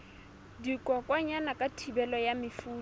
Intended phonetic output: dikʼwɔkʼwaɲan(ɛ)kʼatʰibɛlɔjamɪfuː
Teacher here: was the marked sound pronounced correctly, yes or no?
no